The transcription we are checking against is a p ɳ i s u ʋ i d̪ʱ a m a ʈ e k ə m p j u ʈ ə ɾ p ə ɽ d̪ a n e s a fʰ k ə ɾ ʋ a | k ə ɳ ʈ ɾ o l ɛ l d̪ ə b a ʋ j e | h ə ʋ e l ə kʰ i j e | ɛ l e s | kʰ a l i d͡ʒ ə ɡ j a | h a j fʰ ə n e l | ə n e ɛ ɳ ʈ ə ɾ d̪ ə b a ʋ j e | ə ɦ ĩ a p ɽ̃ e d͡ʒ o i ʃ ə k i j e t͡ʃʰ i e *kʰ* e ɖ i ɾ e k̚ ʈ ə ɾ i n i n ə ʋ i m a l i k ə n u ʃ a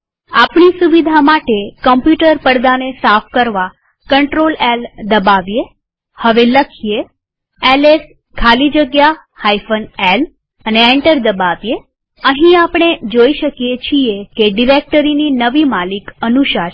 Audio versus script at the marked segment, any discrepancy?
yes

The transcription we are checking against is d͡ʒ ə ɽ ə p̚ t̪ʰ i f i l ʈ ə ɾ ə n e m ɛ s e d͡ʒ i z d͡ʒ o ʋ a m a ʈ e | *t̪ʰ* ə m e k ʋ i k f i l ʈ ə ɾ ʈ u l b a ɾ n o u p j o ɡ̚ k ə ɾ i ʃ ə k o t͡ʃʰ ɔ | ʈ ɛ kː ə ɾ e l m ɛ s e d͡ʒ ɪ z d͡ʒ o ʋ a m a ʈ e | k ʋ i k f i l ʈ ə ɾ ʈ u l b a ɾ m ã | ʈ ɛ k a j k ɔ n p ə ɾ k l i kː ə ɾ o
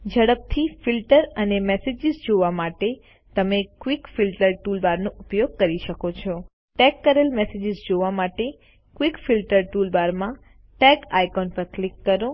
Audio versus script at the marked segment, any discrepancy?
yes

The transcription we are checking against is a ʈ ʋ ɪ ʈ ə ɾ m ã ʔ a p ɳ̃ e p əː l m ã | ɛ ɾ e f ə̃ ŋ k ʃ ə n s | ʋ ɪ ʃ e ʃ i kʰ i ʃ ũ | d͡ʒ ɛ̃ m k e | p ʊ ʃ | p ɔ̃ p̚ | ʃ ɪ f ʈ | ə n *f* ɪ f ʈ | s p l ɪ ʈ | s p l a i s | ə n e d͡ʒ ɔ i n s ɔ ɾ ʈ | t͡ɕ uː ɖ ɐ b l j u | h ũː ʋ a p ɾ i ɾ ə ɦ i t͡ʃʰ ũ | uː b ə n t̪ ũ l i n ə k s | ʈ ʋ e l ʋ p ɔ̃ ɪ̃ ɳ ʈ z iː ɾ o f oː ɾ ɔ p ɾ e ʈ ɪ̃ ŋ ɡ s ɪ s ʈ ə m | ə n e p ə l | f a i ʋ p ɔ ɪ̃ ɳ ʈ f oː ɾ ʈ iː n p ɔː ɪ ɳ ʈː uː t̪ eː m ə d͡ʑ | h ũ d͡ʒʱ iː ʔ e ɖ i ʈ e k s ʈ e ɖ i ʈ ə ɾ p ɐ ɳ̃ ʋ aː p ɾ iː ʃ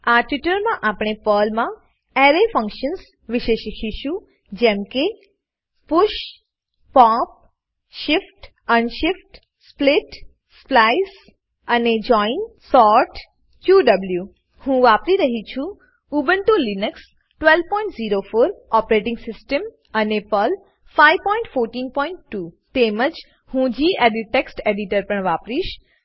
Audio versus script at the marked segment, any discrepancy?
yes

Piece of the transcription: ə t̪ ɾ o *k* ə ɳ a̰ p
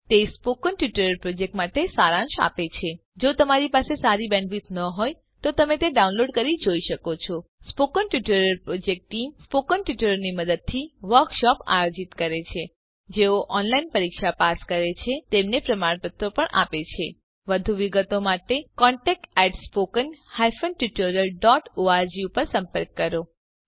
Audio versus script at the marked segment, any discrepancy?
yes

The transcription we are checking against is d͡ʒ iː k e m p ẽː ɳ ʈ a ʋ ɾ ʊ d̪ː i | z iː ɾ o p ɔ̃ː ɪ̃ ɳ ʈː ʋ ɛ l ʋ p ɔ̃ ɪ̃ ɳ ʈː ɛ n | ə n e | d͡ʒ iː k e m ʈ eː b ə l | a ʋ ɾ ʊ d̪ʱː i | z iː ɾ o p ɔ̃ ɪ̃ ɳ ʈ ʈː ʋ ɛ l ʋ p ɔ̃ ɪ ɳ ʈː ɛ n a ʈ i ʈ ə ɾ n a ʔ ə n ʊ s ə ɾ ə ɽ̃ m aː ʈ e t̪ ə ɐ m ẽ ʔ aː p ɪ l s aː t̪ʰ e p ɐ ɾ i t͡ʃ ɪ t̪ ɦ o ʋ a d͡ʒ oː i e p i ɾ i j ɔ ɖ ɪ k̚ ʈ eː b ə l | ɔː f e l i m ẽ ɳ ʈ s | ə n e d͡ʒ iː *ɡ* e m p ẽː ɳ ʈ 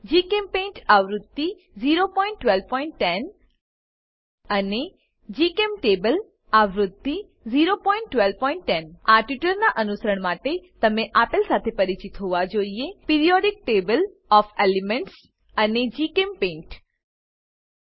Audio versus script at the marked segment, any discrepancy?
yes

